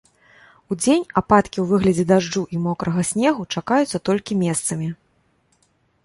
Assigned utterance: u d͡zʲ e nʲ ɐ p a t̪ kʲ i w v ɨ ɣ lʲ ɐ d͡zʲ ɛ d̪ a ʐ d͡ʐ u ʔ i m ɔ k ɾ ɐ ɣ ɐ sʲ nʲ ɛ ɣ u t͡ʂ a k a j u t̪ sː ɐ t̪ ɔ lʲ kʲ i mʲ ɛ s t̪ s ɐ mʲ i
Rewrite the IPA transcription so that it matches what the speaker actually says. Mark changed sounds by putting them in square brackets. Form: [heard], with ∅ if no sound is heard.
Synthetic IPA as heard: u d͡zʲ e nʲ [a] p a t̪ kʲ i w v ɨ ɣ lʲ ɐ d͡zʲ ɛ d̪ a ʐ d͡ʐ u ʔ i m ɔ k ɾ ɐ ɣ ɐ sʲ nʲ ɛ ɣ u t͡ʂ a k a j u t̪ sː ɐ t̪ ɔ lʲ kʲ i mʲ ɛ s t̪ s ɐ mʲ i